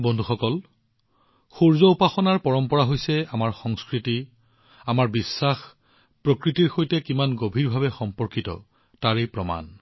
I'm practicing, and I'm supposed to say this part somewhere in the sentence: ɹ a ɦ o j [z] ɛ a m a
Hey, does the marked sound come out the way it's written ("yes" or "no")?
no